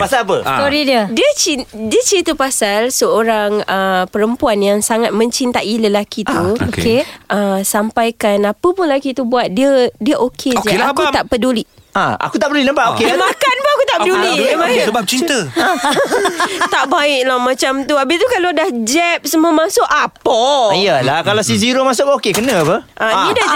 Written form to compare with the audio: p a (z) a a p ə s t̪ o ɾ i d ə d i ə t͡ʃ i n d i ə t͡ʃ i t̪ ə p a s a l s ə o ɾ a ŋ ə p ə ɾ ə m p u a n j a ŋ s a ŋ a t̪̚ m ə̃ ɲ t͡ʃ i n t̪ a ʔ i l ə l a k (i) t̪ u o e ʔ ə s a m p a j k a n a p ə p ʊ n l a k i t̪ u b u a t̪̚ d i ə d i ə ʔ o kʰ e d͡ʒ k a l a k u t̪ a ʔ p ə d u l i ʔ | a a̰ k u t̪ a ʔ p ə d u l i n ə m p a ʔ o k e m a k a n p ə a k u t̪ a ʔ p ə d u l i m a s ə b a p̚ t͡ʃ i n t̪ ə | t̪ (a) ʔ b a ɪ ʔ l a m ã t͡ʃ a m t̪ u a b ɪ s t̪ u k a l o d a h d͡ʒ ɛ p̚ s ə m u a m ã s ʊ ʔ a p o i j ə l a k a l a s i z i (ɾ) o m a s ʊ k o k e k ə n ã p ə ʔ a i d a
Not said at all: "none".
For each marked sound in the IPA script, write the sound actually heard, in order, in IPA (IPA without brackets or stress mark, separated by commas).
s, i, a, ɾ